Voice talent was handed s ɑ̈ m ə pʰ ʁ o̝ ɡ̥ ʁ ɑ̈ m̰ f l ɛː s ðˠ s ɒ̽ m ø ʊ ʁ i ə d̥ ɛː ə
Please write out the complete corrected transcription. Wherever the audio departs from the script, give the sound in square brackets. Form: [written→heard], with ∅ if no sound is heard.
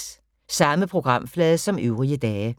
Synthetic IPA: s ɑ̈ m ə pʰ ʁ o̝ ɡ̥ ʁ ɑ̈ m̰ f l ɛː [s→∅] ðˠ s ɒ̽ m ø ʊ ʁ i ə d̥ ɛː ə